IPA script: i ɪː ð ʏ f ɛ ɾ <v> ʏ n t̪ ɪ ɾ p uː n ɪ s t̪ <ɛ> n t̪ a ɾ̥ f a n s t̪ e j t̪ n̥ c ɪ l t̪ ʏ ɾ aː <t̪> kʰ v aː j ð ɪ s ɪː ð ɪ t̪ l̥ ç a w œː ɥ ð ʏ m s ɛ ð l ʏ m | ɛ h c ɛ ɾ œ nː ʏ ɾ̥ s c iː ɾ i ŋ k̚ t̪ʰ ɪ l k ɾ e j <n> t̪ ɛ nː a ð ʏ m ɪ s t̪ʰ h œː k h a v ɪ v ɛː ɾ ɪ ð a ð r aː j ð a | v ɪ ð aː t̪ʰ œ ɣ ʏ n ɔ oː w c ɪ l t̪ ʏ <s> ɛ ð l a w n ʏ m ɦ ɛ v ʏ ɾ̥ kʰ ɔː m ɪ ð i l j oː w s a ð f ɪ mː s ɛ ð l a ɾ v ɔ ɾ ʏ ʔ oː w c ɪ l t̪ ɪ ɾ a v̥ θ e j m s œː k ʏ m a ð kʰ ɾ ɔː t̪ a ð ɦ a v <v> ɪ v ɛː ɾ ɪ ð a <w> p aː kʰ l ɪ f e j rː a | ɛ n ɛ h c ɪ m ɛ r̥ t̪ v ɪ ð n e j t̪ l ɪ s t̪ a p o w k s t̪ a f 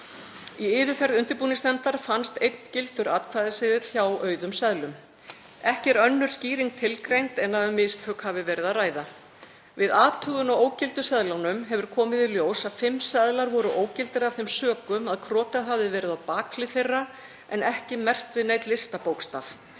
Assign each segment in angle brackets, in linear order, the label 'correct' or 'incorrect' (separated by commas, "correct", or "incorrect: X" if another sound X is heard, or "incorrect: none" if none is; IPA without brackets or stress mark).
incorrect: ð, correct, correct, correct, correct, incorrect: ð, correct